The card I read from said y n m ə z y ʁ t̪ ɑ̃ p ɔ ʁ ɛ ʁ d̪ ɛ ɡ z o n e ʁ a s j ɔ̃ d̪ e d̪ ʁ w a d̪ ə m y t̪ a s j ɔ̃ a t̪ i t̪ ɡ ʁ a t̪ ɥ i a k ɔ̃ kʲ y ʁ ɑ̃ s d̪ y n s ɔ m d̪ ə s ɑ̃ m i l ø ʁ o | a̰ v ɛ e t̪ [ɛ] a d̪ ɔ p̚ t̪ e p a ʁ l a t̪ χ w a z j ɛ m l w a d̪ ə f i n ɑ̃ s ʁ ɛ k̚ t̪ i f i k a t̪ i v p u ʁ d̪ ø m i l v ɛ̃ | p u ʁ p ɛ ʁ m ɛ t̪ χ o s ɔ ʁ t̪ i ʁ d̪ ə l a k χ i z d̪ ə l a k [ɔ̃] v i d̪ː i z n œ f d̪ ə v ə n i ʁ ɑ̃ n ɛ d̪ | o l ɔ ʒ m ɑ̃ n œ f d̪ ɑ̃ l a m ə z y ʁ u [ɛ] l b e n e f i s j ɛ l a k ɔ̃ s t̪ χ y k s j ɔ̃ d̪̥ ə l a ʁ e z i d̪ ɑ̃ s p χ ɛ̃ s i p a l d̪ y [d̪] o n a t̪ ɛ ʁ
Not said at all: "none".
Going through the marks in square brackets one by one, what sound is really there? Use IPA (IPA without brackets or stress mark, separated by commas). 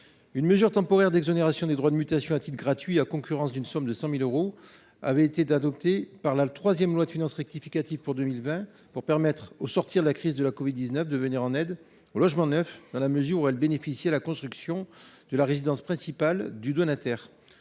e, ɔ, ɛ, d̪